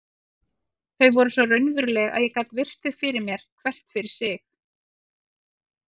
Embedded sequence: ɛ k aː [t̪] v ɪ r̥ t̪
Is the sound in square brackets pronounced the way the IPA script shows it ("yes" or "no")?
yes